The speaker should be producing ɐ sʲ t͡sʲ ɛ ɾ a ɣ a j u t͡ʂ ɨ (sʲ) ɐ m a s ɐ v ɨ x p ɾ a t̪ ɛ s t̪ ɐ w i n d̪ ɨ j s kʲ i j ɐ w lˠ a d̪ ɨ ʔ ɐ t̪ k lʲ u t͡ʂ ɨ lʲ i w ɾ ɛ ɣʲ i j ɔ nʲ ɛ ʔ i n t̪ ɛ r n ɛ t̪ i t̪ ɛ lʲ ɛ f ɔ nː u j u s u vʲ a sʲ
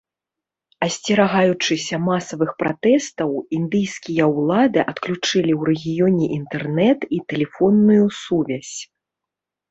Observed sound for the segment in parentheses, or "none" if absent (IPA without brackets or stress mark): sʲ